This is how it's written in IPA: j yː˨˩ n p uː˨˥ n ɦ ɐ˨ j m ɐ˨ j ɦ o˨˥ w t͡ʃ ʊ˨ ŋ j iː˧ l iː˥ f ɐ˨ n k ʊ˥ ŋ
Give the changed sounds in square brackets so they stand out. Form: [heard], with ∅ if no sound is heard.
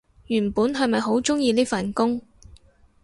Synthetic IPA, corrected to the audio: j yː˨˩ n p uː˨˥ n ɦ ɐ˨ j m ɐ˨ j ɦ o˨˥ w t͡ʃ [ʊ˥] ŋ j iː˧ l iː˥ f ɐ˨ n k ʊ˥ ŋ